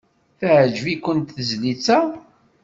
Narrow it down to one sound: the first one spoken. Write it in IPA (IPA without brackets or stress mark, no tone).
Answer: θ